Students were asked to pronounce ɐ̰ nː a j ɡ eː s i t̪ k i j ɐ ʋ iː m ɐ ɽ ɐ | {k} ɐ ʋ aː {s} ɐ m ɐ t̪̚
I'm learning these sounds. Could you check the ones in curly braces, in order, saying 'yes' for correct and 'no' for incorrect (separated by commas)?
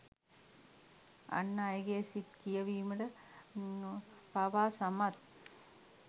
no, yes